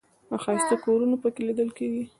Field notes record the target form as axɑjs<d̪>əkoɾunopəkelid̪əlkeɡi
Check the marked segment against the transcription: incorrect: t̪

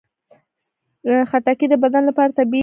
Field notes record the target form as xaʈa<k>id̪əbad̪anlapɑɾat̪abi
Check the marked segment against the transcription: correct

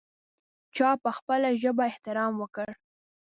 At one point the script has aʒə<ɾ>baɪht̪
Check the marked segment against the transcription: incorrect: none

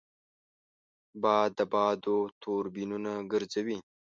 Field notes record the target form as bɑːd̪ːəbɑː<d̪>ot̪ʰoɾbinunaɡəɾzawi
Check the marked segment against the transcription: correct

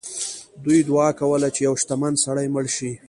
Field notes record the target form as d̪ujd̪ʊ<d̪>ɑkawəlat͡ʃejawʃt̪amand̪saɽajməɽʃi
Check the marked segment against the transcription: incorrect: none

